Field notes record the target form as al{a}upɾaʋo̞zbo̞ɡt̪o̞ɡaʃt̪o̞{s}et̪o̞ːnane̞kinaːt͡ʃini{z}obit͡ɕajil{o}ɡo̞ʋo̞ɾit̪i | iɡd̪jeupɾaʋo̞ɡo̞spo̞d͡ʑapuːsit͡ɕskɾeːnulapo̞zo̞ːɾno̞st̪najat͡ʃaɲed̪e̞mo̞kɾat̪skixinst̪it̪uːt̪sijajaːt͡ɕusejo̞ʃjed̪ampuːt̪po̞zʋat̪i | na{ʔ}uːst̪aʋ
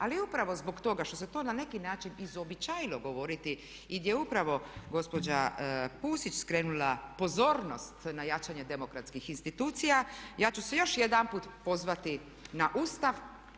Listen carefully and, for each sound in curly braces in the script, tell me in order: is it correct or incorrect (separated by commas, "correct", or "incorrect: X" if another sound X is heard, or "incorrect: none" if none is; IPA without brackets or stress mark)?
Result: incorrect: i, correct, correct, correct, correct